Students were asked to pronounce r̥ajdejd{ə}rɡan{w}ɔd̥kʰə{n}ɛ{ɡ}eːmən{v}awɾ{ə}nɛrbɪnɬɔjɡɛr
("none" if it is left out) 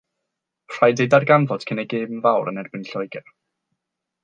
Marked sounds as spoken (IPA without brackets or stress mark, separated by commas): a, v, n, ɡ, v, ə